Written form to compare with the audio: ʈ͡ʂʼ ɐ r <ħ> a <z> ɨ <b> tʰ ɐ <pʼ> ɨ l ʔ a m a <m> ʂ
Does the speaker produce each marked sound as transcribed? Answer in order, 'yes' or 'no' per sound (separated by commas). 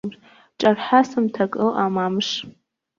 yes, no, no, no, yes